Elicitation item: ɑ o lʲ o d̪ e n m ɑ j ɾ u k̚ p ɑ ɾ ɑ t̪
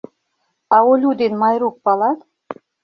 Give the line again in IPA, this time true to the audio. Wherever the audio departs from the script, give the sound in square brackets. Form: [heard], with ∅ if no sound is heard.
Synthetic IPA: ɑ o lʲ [u] d̪ e n m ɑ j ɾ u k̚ p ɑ [l] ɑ t̪